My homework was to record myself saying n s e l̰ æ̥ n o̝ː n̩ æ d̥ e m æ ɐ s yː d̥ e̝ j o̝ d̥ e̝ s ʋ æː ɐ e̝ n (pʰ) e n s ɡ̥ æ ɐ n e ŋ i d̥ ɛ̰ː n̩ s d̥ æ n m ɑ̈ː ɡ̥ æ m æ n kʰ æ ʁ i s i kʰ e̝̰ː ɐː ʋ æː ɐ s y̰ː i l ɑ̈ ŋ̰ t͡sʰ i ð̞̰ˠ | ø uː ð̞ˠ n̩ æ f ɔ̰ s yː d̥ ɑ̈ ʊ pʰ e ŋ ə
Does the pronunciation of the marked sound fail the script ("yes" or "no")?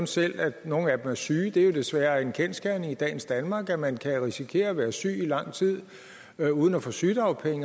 yes